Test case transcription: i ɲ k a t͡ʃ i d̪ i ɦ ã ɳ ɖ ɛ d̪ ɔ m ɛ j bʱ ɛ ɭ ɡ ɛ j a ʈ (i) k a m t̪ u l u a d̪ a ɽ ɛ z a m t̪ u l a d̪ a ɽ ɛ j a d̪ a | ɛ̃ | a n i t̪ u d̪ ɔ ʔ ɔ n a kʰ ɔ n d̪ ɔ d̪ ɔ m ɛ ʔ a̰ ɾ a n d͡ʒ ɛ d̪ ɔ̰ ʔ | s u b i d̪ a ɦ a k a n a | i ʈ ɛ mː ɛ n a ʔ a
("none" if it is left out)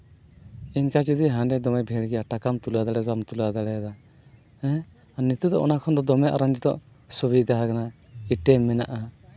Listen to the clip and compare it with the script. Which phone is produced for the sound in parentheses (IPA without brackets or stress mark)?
a